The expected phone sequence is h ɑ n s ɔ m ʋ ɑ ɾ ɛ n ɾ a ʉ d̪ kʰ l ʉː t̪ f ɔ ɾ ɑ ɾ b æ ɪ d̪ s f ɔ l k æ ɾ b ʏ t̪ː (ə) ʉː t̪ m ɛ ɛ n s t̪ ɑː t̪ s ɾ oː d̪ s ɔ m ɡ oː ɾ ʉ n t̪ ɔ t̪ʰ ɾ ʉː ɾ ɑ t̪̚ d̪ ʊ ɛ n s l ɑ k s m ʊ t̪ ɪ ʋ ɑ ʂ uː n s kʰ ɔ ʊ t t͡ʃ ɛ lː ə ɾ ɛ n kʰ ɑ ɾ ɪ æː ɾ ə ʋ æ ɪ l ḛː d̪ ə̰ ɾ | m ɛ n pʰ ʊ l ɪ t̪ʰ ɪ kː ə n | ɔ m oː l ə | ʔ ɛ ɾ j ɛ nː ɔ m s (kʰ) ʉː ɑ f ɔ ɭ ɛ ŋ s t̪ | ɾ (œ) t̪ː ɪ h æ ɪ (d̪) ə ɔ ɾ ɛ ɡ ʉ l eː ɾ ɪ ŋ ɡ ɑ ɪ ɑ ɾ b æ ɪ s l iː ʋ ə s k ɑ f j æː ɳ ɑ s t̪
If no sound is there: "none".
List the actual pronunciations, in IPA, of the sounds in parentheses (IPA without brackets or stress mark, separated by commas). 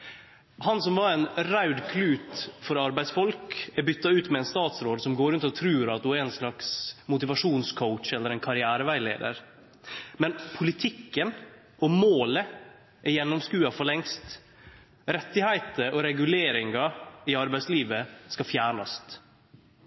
ɑ, k, ɛ, t̪